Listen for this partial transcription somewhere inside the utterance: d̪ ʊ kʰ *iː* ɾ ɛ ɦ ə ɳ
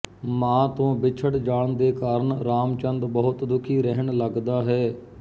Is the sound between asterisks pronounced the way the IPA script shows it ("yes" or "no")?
yes